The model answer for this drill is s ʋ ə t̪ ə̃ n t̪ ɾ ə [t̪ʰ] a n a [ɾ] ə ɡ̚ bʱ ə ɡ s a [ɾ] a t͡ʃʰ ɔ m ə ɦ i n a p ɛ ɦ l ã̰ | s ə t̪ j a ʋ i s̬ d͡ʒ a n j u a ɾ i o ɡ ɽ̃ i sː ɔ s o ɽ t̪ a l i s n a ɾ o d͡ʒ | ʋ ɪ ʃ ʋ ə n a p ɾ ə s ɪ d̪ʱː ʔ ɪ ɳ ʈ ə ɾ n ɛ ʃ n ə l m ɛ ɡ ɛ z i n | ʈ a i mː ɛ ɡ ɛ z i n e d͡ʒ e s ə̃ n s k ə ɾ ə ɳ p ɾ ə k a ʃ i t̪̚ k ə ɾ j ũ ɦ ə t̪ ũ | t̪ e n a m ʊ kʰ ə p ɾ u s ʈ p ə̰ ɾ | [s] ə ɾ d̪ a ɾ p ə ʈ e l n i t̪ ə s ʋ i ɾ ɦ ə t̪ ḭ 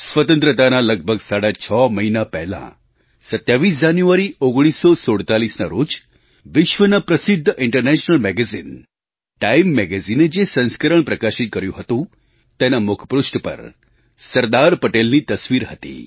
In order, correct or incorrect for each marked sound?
incorrect, incorrect, incorrect, correct

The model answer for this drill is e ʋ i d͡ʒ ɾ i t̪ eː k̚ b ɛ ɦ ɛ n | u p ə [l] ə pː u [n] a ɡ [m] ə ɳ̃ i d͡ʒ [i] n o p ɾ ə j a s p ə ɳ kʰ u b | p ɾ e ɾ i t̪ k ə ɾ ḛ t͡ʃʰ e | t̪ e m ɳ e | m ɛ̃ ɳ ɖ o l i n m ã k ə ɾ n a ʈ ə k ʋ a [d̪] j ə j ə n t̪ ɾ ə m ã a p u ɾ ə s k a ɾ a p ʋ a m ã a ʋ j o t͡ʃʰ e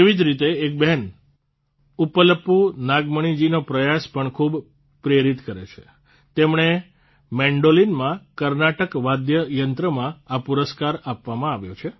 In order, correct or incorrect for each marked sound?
correct, correct, correct, correct, correct

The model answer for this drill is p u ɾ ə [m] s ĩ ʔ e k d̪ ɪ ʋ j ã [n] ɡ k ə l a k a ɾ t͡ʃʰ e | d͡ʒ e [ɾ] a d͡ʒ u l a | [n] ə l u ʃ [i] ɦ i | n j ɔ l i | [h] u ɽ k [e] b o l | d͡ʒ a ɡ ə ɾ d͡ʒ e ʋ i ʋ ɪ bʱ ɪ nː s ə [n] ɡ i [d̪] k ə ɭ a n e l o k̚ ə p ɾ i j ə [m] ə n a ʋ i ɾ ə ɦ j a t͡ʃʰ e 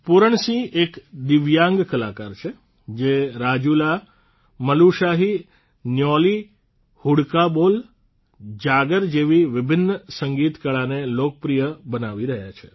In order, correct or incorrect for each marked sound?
incorrect, incorrect, correct, incorrect, incorrect, correct, incorrect, incorrect, incorrect, incorrect

